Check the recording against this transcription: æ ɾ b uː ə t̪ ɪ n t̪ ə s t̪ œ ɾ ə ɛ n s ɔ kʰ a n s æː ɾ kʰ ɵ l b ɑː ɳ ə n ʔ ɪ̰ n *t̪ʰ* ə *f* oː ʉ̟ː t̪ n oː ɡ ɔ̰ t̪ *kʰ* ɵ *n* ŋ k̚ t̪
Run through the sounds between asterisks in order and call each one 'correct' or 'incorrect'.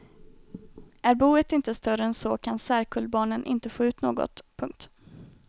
incorrect, correct, incorrect, incorrect

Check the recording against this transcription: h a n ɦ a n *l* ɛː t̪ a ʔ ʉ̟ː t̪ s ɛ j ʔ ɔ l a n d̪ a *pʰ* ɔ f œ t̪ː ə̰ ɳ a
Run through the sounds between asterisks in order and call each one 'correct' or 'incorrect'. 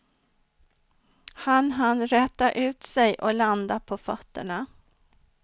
incorrect, correct

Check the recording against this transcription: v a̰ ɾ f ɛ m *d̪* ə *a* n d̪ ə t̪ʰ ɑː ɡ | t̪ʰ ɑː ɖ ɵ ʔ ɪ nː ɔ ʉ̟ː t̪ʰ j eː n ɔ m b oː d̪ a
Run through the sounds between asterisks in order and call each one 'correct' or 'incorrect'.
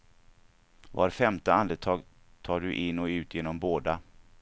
incorrect, correct

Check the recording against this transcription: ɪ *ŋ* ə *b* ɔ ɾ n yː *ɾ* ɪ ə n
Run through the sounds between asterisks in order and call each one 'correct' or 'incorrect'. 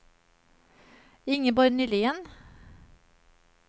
correct, correct, incorrect

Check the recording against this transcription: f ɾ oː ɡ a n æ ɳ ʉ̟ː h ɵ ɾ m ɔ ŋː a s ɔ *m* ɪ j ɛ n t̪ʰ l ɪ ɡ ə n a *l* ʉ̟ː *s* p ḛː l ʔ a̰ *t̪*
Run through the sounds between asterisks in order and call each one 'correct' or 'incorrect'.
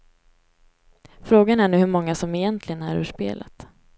correct, incorrect, incorrect, correct

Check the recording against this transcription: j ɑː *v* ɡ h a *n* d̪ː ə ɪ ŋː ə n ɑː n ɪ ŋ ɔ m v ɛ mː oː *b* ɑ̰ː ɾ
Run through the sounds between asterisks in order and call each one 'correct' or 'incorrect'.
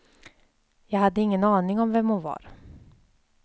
incorrect, incorrect, incorrect

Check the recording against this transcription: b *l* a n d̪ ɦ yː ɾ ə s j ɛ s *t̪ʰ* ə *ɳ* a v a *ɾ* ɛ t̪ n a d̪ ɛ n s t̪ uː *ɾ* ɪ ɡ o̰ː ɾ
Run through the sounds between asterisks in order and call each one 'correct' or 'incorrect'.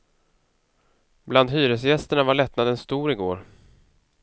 correct, incorrect, correct, incorrect, correct

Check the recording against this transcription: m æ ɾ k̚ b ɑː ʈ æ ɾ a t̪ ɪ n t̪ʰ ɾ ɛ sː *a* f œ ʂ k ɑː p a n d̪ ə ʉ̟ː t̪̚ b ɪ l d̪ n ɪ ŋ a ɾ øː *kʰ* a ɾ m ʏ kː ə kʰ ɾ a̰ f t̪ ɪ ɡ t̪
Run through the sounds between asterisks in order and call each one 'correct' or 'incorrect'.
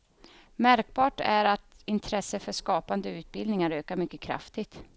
incorrect, incorrect

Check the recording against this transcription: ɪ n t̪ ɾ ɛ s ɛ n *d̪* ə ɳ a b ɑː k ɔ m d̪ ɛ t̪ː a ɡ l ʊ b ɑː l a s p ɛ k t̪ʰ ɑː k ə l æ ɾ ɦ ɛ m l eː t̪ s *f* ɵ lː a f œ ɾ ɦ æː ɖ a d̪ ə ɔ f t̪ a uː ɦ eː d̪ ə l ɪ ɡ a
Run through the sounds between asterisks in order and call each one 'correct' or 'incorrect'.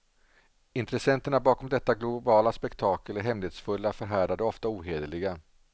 incorrect, correct

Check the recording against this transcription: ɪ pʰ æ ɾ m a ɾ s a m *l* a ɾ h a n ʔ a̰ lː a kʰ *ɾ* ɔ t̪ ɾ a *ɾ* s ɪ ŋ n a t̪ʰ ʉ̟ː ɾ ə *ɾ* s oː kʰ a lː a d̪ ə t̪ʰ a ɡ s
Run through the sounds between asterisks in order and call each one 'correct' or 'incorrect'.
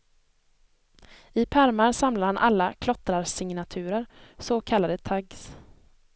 correct, incorrect, correct, correct

